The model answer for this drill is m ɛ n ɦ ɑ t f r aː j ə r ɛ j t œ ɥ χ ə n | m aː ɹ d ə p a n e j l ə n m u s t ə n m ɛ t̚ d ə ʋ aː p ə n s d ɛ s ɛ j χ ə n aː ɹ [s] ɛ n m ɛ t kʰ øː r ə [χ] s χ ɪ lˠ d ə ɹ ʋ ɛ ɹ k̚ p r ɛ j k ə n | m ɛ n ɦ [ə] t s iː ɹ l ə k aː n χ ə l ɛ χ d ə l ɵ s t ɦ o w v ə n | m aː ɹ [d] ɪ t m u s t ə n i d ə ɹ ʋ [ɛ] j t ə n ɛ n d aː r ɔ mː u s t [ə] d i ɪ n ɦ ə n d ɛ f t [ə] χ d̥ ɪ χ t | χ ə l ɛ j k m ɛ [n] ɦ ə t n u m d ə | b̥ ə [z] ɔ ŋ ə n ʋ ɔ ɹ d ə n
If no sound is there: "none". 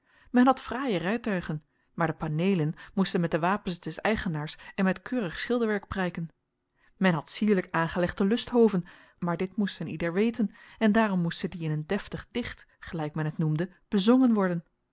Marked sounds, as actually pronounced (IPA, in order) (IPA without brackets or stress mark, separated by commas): s, χ, ɑ, d, e, ə, ə, n, z